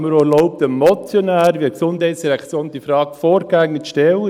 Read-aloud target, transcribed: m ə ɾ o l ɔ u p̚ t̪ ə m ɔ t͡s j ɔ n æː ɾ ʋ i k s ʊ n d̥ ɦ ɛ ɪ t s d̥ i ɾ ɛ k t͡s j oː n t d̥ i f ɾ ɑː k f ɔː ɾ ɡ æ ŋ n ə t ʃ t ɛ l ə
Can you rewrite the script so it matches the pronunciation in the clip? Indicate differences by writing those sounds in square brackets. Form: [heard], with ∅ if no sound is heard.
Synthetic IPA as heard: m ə ɾ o l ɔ [ʊ] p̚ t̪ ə m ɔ t͡s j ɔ n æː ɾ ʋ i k s ʊ n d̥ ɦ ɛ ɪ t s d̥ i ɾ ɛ k t͡s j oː n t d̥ i f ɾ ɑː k f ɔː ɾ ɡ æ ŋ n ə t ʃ t ɛ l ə